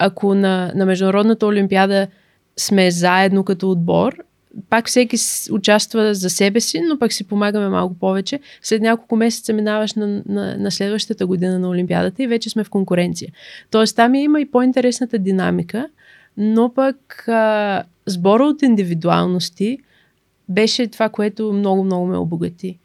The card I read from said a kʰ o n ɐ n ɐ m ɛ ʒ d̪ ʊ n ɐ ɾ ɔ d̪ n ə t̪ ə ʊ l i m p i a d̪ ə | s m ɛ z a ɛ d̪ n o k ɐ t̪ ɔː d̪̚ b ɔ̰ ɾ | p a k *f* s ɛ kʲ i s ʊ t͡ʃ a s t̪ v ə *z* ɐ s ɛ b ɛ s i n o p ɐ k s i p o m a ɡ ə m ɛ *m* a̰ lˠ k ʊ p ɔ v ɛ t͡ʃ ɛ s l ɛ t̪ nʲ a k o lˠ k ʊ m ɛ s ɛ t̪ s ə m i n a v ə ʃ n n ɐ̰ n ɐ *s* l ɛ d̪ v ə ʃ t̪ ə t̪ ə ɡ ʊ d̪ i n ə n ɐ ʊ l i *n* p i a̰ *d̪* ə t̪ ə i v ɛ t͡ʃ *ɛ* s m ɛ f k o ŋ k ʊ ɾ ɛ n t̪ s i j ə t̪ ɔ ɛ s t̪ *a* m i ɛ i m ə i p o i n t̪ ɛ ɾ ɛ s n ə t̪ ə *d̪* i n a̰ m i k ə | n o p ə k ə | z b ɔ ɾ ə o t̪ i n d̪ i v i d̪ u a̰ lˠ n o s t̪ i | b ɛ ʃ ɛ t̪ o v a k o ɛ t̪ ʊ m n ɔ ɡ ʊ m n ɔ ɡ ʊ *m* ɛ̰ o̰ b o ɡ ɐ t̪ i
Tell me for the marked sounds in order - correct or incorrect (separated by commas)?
correct, correct, correct, correct, incorrect, correct, correct, correct, correct, correct